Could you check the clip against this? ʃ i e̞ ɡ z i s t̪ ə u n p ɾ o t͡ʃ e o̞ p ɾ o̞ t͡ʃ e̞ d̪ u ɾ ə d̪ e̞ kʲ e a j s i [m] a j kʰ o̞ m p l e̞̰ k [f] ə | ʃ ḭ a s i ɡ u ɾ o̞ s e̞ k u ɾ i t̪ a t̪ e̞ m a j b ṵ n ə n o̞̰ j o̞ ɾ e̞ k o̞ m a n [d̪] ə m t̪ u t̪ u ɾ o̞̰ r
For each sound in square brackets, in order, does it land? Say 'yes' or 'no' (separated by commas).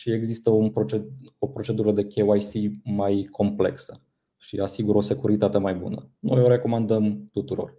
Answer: yes, no, yes